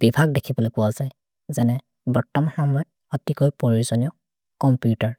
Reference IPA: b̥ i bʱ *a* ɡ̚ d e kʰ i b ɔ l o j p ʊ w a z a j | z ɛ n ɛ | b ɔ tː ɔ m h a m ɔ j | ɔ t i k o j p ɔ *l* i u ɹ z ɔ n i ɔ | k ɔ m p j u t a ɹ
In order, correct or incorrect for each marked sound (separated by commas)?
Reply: correct, incorrect